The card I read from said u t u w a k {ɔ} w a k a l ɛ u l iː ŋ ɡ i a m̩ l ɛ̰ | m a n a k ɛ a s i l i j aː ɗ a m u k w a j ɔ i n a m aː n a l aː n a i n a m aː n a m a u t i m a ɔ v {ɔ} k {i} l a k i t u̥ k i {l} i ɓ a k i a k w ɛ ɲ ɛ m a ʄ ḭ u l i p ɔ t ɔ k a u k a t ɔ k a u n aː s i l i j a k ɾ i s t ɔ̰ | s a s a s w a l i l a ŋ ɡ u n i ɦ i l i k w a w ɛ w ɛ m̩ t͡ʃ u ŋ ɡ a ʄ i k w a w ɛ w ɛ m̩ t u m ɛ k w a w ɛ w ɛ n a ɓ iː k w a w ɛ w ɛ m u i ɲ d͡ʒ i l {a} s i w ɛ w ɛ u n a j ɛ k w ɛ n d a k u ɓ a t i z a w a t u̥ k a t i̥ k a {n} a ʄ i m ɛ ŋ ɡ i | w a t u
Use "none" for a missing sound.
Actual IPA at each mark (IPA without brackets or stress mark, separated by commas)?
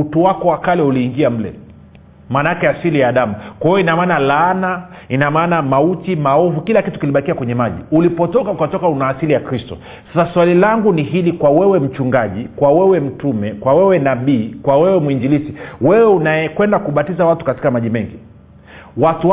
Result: ɔ, u, i, l, i, m